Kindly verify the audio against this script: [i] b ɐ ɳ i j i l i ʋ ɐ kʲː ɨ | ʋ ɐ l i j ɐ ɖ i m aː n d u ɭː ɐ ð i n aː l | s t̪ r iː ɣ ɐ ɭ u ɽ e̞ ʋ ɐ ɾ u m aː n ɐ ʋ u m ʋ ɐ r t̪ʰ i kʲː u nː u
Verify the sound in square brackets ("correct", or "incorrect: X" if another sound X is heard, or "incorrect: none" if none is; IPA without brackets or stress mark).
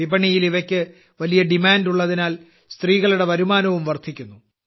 correct